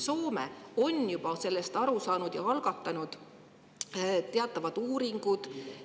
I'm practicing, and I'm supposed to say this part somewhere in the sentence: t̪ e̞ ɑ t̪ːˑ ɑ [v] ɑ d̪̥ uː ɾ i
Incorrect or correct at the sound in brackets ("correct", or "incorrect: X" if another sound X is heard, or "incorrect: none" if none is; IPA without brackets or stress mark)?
correct